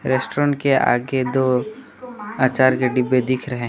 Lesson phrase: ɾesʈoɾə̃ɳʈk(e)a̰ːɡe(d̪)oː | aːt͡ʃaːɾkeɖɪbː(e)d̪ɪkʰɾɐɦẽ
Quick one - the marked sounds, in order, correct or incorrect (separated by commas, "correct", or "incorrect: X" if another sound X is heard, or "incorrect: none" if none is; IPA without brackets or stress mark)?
correct, correct, correct